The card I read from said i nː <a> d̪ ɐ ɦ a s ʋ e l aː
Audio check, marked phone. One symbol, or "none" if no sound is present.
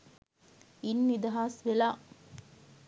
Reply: i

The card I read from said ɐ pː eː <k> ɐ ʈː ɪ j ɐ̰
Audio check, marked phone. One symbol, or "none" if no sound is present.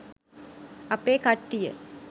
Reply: k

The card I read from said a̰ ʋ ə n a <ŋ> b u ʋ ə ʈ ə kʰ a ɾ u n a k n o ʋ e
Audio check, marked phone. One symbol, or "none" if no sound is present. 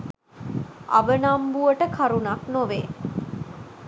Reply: m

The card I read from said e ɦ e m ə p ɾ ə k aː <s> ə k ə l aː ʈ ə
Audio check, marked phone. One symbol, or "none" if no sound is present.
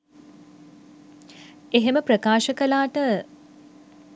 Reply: ʃ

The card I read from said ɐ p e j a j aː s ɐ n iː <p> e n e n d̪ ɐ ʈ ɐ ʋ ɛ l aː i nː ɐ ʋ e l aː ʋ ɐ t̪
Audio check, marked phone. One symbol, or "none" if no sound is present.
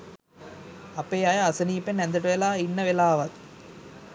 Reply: p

